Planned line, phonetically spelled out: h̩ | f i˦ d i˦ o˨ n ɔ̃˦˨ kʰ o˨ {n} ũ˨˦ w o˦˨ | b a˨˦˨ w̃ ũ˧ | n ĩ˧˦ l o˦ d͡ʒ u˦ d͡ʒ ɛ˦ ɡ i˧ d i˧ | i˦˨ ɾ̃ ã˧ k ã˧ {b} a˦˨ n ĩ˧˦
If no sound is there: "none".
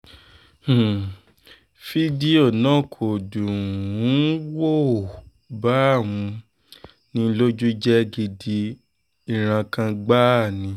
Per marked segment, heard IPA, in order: d, ɡ͡b

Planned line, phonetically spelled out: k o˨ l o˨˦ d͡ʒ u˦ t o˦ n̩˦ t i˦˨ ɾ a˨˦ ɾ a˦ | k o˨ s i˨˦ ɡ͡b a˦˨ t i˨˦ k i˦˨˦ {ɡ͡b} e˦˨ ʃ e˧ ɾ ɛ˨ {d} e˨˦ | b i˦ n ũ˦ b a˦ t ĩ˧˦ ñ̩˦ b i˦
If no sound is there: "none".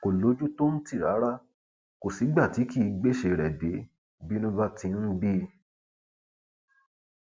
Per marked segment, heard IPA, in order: ɡ͡b, d

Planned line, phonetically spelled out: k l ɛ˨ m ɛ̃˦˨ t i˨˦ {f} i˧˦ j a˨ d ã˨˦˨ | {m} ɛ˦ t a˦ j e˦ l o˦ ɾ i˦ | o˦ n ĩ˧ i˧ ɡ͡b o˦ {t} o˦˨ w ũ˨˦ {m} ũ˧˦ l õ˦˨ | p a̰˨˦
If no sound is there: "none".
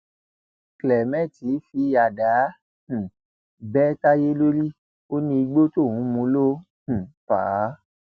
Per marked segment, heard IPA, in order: f, b, t, m

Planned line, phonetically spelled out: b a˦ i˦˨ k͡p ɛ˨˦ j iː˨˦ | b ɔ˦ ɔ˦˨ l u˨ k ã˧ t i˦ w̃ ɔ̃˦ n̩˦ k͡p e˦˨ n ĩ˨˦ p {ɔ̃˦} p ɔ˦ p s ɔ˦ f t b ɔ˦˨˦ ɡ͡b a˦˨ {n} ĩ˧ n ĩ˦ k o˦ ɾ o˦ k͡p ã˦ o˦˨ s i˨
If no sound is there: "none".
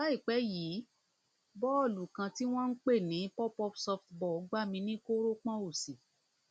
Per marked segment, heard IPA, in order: ɔ˦, m

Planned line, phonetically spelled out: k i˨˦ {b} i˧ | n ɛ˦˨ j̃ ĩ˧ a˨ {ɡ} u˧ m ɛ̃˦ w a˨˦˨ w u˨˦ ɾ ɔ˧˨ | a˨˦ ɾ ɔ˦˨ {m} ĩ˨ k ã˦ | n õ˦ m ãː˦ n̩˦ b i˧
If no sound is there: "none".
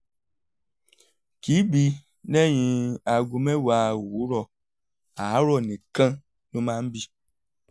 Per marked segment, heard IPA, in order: b, ɡ, n

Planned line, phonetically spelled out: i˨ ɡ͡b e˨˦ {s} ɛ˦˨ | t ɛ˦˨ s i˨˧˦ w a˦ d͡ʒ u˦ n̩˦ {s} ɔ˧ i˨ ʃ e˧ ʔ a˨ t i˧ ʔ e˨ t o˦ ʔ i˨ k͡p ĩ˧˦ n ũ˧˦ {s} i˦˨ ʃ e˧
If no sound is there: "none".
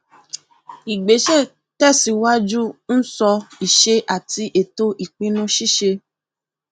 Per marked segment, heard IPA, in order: ʃ, s, ʃ

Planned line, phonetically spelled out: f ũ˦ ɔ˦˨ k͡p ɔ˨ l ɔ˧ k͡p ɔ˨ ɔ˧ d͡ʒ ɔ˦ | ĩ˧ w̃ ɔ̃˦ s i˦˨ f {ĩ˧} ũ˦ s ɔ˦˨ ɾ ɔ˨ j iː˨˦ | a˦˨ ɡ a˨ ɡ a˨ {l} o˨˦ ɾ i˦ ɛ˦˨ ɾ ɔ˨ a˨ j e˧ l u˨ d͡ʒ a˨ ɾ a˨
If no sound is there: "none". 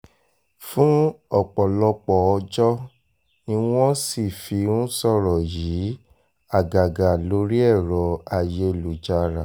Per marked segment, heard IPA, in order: i˧, l

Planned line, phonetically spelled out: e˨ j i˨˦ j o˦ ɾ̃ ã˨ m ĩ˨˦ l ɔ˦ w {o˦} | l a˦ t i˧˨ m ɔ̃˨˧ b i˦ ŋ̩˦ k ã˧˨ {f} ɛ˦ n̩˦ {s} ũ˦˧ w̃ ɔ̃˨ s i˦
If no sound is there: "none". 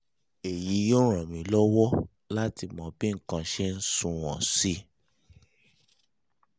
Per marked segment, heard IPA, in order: ɔ˦, ʃ, s

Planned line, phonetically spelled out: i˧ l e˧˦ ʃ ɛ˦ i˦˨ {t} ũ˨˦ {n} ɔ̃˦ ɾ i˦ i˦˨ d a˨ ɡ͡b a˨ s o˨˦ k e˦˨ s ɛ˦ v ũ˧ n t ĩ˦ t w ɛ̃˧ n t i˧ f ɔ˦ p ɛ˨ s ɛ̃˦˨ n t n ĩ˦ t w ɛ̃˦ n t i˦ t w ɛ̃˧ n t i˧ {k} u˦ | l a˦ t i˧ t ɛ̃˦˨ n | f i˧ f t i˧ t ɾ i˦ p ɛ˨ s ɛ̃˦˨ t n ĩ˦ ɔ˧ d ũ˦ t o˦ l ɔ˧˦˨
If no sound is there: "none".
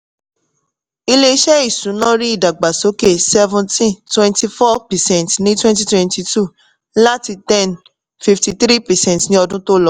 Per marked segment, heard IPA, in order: s, n, t

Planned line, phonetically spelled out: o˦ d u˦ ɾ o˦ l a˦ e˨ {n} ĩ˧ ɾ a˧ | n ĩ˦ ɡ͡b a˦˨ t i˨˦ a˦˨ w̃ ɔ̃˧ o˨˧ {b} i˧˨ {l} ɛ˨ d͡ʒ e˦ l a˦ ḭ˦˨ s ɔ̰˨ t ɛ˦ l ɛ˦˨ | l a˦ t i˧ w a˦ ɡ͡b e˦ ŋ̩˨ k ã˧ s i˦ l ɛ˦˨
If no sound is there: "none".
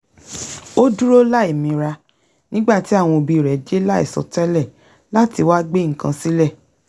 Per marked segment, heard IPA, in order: m, b, ɾ

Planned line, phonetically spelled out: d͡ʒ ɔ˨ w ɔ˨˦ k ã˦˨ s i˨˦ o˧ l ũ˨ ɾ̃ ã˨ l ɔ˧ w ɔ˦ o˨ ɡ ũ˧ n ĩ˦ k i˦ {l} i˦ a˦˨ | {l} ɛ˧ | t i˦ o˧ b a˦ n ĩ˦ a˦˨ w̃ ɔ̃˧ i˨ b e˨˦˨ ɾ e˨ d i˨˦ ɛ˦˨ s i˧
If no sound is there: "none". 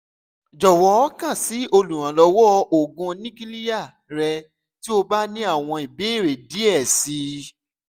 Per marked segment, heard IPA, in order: l, ɾ

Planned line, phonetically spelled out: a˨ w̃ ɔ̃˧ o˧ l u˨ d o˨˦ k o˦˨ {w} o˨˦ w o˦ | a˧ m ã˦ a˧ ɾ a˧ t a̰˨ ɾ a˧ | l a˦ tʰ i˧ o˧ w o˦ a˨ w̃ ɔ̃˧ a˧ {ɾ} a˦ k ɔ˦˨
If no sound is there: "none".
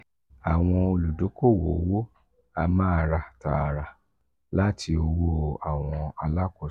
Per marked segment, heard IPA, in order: w, l

